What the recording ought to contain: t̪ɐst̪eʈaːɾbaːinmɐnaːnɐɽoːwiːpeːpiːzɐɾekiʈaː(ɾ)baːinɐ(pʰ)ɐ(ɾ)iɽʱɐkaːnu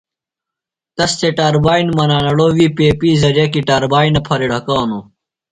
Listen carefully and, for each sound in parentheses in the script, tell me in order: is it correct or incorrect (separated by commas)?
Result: correct, correct, correct